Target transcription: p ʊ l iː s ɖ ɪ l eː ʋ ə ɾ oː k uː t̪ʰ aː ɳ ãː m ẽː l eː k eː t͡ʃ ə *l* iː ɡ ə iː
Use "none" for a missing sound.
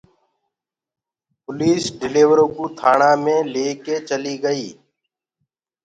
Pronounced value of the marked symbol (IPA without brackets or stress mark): l